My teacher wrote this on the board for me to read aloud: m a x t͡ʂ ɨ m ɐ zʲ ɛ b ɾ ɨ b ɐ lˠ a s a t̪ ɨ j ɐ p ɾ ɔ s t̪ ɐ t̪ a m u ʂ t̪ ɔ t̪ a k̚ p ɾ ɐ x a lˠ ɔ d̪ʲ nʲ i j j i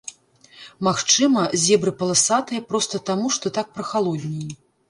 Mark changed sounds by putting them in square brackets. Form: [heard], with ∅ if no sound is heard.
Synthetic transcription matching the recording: m a x t͡ʂ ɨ m ɐ zʲ ɛ b ɾ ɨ [p] ɐ lˠ a s a t̪ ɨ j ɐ p ɾ ɔ s t̪ ɐ t̪ a m u ʂ t̪ ɔ t̪ a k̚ p ɾ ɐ x a lˠ ɔ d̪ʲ nʲ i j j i